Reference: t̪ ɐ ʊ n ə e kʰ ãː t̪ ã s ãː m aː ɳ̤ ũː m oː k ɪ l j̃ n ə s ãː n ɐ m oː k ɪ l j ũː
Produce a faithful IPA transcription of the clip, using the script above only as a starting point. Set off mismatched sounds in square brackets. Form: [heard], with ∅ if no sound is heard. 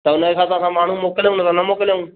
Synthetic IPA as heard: t̪ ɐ ʊ n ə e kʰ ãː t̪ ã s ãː m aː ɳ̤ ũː m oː k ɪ l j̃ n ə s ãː n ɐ m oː k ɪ l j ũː

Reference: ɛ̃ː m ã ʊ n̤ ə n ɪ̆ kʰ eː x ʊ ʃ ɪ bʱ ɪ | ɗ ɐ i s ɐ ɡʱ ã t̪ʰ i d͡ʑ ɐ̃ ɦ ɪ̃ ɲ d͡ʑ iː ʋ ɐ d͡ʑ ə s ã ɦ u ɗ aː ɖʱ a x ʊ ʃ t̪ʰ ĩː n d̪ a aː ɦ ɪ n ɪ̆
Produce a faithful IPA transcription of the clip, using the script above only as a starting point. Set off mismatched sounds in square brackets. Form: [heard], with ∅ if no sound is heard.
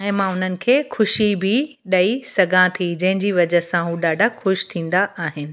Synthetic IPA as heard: ɛ̃ː m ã ʊ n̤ ə n ɪ̆ kʰ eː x ʊ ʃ [i] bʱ ɪ | ɗ ɐ i s ɐ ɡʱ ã t̪ʰ i d͡ʑ ɐ̃ ɦ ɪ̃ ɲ d͡ʑ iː ʋ ɐ d͡ʑ ə s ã ɦ u ɗ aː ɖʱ a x ʊ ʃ t̪ʰ ĩː n d̪ a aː ɦ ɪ n ɪ̆

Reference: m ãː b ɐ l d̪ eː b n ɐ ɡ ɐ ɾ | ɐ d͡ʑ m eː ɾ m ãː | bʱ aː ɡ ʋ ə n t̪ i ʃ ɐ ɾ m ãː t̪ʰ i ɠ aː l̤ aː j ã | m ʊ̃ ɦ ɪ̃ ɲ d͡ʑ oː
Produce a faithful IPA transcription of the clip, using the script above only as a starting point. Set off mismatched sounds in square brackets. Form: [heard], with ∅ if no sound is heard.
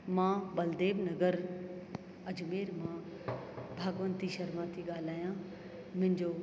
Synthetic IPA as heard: m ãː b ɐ l d̪ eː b n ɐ ɡ [ə] ɾ | ɐ d͡ʑ m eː ɾ m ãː | bʱ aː ɡ ʋ ə n t̪ i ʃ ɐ ɾ m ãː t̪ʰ i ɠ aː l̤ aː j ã | m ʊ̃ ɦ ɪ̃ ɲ d͡ʑ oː

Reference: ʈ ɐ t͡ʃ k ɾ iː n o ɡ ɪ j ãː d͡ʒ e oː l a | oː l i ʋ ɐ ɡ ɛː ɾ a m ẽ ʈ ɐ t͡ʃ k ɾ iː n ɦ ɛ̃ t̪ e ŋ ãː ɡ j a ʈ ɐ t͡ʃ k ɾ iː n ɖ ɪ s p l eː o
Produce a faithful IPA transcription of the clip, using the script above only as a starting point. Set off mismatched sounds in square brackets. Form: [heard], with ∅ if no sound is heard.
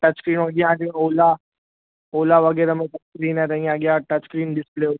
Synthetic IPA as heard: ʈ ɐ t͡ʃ k ɾ iː n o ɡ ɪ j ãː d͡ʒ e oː l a | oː l [a] ʋ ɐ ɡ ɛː ɾ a m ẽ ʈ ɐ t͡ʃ k ɾ iː n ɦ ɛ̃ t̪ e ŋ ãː ɡ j a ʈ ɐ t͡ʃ k ɾ iː n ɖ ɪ s p l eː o

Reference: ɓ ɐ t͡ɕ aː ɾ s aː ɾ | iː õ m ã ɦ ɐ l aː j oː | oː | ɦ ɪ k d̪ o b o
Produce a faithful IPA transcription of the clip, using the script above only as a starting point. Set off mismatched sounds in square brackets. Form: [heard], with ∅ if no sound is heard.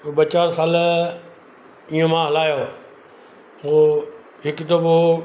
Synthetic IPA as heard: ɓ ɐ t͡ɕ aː ɾ s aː [l] | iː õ m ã ɦ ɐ l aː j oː | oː | ɦ ɪ k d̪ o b o

